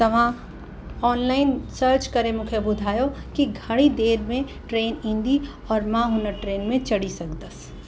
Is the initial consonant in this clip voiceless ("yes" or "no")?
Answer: yes